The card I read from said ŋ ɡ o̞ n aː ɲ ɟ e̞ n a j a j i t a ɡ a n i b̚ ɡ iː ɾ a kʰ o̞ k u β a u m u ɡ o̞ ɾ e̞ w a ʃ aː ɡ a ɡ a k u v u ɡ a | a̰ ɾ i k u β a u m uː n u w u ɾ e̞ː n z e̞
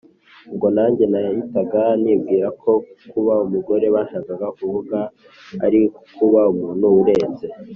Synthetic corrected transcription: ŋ ɡ o̞ n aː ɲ ɟ e̞ n a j a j i t a ɡ a n i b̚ ɡ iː ɾ a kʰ o̞ k u β a u m u ɡ o̞ ɾ e̞ β a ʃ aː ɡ a ɡ a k u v u ɡ a | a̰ ɾ i k u β a u m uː n u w u ɾ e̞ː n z e̞